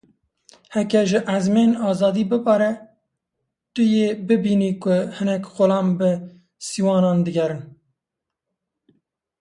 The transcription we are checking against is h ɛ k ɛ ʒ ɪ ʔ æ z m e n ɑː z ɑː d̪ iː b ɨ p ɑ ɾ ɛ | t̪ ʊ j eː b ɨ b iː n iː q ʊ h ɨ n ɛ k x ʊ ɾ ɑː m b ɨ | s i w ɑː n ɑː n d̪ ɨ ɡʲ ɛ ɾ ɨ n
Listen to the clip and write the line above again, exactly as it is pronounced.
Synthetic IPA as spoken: h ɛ k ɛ ʒ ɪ ʔ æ z m e n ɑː z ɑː d̪ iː b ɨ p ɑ ɾ ɛ | t̪ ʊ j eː b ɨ b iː n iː k ʊ h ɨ n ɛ k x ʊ l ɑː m b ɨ | s i w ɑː n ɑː n d̪ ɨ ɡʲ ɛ ɾ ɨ n